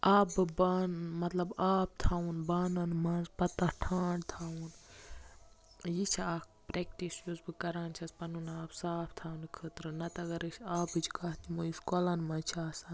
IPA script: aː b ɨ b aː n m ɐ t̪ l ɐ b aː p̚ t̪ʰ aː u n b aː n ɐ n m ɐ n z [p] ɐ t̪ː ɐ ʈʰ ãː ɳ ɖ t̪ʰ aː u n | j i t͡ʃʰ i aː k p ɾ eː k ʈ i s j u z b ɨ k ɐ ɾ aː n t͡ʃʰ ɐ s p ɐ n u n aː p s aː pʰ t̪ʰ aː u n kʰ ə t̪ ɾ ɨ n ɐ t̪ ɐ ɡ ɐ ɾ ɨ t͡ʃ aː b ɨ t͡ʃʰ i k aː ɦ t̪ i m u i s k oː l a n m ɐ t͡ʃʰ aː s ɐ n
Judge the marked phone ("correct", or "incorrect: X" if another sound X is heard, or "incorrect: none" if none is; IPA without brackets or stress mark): correct